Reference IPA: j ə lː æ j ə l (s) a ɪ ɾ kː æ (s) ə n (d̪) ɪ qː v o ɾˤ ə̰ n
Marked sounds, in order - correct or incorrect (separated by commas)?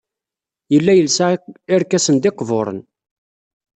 correct, correct, correct